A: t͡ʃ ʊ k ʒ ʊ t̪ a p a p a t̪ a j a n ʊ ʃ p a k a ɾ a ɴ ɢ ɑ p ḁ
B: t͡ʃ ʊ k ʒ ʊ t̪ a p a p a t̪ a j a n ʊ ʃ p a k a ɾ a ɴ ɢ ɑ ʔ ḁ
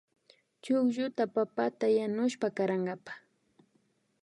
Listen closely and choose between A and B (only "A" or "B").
A